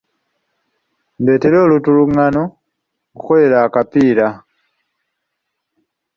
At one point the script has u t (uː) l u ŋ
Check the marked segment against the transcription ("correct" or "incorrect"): incorrect